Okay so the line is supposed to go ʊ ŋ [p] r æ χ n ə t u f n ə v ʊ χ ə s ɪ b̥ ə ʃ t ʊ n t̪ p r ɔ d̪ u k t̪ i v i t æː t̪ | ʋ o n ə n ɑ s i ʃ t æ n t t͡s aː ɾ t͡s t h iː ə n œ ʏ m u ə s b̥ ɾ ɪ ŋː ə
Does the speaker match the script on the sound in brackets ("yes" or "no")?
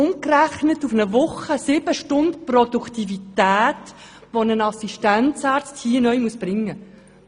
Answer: no